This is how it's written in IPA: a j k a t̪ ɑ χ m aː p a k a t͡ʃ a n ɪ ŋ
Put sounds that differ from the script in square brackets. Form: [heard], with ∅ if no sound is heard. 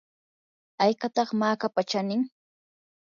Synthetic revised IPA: a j k a t̪ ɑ χ m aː [k] a [p] a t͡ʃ a n ɪ ŋ